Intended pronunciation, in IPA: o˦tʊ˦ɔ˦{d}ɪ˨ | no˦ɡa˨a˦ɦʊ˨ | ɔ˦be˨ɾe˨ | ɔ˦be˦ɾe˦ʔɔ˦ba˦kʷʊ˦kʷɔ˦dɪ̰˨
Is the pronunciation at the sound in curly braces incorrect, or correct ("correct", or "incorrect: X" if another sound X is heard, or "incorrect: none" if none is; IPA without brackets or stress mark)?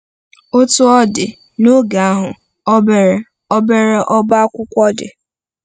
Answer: correct